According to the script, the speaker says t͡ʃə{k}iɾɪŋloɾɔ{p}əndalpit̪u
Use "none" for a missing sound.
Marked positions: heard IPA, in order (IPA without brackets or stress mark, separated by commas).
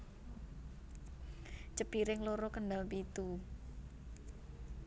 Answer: p, k